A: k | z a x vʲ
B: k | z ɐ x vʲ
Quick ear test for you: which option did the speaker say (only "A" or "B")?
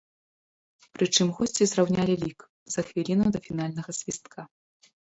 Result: B